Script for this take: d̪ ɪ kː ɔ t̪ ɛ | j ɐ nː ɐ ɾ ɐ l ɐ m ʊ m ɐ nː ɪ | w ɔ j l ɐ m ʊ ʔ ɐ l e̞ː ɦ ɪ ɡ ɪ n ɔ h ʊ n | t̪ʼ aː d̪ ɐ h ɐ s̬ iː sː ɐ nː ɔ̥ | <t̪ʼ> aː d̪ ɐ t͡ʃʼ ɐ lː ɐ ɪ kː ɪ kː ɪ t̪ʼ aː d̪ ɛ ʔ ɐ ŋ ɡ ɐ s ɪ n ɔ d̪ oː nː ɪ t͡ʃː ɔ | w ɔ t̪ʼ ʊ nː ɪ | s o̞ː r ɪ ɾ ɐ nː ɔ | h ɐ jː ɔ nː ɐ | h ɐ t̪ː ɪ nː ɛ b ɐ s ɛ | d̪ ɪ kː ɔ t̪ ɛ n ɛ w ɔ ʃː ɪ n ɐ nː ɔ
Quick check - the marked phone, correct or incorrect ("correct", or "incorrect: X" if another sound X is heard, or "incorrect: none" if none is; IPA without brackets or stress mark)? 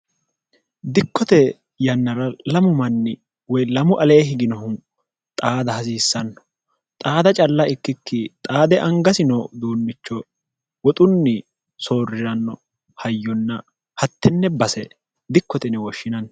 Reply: correct